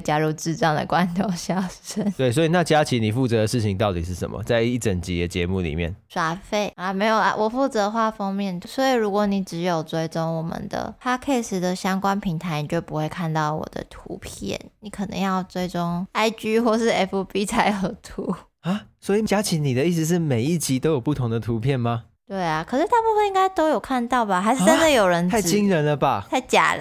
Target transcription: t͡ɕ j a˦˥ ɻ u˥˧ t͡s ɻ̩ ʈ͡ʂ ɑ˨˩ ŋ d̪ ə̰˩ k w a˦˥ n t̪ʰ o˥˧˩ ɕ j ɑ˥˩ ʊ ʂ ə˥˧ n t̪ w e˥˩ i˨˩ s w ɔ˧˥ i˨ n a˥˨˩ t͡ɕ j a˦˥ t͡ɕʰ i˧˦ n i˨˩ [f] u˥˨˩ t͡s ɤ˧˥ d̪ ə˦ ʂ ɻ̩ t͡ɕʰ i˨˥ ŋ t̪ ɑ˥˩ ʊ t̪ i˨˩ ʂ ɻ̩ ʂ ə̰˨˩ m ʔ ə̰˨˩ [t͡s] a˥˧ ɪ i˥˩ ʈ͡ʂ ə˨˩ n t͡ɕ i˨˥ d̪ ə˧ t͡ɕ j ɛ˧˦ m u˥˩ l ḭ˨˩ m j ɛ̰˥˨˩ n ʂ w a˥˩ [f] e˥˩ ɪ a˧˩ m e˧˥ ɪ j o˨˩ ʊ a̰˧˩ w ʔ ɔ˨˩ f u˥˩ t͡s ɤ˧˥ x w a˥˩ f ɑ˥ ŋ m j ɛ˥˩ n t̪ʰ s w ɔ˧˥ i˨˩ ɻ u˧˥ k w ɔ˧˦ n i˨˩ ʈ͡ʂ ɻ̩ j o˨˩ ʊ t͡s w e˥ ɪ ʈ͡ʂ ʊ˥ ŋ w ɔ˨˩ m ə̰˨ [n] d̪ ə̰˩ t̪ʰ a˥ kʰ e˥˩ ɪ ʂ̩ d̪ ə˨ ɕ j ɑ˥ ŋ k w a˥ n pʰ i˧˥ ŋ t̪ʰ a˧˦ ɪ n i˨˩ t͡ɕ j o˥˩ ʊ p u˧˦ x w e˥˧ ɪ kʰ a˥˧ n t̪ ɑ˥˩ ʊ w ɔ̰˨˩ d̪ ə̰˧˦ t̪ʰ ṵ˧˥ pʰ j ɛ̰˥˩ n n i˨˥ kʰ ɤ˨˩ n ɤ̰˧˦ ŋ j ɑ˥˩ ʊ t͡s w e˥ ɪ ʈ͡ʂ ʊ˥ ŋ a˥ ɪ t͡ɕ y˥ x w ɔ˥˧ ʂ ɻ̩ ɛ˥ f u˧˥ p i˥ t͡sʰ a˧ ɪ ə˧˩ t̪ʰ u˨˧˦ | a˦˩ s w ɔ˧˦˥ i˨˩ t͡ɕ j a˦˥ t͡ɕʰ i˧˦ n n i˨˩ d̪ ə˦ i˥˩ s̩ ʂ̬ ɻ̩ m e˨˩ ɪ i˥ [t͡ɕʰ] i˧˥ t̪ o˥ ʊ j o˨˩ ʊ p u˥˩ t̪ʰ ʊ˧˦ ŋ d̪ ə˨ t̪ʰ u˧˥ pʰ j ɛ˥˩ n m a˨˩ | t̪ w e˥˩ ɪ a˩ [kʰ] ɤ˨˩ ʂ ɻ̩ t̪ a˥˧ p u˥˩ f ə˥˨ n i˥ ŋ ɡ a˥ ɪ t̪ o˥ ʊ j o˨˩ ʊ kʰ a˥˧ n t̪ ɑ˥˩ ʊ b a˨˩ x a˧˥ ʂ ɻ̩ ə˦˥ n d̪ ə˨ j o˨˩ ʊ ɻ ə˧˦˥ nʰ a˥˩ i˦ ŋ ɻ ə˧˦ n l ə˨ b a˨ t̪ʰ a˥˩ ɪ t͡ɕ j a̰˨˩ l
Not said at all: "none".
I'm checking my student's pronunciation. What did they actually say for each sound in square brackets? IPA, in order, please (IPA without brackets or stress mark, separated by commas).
f, t͡s, f, n, t͡ɕ, kʰ